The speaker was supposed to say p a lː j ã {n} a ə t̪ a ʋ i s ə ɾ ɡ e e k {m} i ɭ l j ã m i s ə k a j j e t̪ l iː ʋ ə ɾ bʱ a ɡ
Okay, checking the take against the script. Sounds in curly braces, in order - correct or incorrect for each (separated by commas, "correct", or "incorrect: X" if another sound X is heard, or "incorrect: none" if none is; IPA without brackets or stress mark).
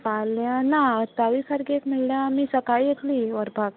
correct, correct